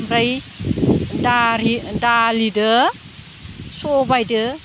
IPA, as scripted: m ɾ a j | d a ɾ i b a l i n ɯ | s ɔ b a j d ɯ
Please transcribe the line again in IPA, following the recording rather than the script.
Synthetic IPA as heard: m ɾ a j | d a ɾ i d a l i d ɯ | s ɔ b a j d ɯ